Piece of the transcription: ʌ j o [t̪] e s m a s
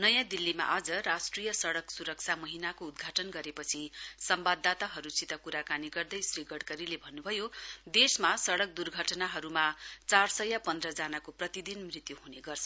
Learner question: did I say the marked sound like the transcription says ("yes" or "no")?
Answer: no